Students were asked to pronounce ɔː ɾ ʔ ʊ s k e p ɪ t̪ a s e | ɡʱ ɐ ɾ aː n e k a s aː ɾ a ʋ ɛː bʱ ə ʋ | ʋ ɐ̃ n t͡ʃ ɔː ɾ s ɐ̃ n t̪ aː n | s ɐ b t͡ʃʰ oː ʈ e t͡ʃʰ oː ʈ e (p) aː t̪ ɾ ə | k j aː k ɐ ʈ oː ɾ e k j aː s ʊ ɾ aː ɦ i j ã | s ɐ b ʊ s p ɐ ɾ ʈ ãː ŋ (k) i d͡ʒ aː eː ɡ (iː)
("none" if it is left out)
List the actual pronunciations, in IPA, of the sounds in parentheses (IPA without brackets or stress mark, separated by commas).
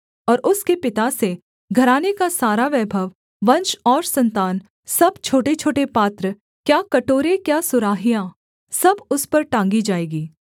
p, ɡ, iː